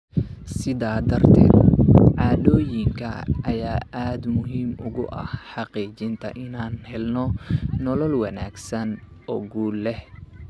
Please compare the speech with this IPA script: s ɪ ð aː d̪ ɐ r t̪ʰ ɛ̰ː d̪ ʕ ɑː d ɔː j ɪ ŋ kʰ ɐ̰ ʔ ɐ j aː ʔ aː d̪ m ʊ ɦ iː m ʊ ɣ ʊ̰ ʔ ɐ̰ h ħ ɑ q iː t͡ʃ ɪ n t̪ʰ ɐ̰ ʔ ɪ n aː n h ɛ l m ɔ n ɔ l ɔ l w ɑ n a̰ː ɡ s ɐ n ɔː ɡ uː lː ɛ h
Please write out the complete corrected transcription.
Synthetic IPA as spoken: s ɪ ð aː d̪ ɐ r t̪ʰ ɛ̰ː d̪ ʕ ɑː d ɔː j ɪ ŋ kʰ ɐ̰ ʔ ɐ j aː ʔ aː d̪ m ʊ ɦ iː m ʊ ɣ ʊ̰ ʔ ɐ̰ h ħ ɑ q iː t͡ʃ ɪ n t̪ʰ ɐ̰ ʔ ɪ n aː n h ɛ l n ɔ n ɔ l ɔ l w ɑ n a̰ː ɡ s ɐ n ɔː ɡ uː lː ɛ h